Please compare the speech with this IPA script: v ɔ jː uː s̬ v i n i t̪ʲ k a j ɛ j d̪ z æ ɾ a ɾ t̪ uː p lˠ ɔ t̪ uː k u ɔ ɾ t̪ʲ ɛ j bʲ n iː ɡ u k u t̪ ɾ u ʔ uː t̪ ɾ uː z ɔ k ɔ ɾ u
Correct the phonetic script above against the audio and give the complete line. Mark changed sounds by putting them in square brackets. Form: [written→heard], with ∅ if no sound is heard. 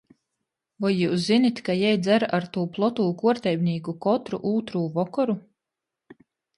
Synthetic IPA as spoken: v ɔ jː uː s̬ [v→z] i n i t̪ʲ k a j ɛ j d̪ z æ ɾ a ɾ t̪ uː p lˠ ɔ t̪ uː k u ɔ ɾ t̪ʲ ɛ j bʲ n iː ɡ u k [u→ɔ] t̪ ɾ u ʔ uː t̪ ɾ uː [z→v] ɔ k ɔ ɾ u